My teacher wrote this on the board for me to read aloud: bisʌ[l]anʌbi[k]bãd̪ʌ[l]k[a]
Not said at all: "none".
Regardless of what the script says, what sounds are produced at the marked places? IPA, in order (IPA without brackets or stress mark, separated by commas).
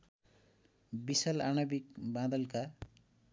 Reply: l, k, l, a